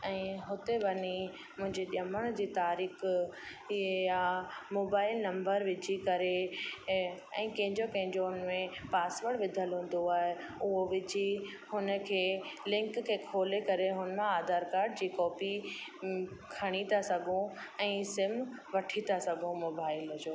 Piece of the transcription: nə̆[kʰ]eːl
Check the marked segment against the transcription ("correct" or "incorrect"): correct